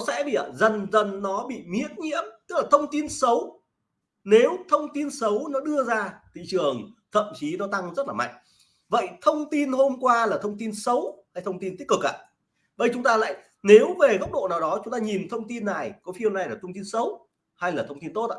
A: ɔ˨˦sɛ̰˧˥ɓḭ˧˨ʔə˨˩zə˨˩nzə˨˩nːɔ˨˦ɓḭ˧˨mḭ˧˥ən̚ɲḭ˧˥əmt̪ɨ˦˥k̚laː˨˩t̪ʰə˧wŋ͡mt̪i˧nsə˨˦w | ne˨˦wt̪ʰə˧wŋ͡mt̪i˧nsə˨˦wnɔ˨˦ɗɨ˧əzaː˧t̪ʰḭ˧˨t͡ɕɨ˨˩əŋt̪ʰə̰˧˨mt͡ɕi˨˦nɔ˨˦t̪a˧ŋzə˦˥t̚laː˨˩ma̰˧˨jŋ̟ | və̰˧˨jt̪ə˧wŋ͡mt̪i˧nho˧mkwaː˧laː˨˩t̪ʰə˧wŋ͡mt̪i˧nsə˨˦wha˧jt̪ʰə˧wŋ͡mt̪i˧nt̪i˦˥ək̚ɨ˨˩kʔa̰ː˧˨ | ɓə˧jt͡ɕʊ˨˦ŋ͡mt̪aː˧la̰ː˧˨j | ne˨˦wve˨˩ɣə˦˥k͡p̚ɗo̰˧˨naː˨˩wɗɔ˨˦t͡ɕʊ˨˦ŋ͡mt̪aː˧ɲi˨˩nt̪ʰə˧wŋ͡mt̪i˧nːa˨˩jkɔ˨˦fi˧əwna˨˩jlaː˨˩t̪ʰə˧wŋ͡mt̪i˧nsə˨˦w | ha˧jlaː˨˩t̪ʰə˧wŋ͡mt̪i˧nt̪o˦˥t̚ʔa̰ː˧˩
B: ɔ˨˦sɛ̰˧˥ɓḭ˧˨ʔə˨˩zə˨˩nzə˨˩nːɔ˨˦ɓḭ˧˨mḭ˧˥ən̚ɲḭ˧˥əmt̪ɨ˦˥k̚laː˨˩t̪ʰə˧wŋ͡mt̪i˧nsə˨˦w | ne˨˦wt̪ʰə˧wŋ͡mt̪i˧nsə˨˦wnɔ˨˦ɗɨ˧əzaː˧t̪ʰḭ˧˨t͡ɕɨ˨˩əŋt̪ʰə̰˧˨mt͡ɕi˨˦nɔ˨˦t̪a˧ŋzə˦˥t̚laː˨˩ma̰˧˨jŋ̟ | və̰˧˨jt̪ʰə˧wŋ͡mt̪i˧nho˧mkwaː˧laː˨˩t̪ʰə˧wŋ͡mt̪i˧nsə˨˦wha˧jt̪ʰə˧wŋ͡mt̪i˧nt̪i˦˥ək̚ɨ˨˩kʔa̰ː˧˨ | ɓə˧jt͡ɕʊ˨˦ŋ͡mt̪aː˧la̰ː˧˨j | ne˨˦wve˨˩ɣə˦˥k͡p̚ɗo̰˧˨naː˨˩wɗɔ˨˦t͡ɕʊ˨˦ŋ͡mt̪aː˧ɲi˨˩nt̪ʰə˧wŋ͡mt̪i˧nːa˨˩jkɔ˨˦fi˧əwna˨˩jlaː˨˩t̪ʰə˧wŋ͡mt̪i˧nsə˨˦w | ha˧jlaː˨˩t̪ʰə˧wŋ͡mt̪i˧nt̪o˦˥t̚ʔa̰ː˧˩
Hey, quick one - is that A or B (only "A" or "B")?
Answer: B